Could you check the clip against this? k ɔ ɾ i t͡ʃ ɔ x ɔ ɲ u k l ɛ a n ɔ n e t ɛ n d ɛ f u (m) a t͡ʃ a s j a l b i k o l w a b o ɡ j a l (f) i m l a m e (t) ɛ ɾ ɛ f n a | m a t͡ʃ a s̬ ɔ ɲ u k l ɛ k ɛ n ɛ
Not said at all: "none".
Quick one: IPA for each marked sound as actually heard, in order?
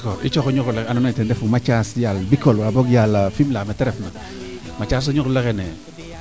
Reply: m, f, t

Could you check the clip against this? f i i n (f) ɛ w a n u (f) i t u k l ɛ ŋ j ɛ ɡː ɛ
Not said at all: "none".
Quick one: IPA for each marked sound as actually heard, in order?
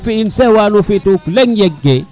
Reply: s, f

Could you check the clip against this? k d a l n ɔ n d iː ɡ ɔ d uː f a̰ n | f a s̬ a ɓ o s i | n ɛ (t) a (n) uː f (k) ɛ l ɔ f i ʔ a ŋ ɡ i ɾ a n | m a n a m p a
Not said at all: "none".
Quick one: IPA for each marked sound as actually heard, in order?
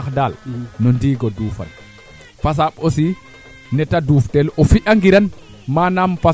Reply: t, d, t

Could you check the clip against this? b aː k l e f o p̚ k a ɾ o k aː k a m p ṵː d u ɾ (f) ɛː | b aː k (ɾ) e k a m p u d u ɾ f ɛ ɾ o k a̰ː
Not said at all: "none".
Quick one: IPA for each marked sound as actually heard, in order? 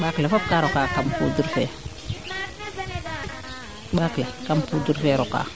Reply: f, l

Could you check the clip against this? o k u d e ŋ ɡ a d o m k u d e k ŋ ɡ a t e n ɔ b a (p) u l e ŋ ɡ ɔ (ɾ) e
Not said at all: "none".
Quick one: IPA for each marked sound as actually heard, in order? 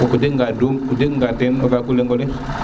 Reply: k, l

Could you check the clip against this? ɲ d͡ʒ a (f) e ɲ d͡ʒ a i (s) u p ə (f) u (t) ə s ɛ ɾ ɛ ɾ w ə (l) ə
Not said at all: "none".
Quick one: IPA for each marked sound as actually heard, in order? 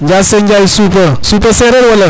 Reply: s, s, s, p, l

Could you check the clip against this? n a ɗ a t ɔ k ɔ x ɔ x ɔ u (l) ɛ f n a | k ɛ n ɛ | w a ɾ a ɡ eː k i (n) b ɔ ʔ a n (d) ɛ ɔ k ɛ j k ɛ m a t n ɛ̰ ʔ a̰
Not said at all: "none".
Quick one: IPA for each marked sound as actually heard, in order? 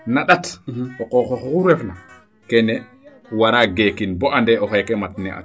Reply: ɾ, n, d

